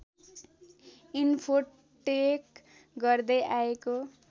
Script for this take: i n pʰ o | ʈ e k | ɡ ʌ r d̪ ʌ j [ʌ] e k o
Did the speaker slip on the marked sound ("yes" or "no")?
yes